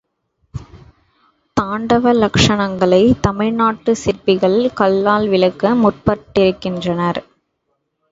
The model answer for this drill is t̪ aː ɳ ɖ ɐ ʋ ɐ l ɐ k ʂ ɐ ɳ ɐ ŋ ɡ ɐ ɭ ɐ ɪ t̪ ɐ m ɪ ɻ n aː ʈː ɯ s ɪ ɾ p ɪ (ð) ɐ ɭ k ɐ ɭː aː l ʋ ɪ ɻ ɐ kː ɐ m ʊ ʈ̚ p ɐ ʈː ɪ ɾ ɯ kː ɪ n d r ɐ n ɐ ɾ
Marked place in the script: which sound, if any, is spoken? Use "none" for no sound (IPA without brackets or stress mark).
ɣ